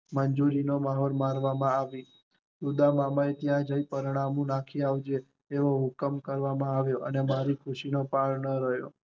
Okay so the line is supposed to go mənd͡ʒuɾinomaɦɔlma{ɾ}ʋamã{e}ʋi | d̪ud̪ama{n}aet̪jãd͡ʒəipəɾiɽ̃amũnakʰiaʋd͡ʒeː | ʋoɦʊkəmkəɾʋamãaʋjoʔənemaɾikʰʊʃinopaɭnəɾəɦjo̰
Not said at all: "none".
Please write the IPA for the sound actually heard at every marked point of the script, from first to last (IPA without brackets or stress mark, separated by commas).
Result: ɾ, a, m